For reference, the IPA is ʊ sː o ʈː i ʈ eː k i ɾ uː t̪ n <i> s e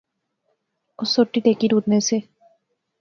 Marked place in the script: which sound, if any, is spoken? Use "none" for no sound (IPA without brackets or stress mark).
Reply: e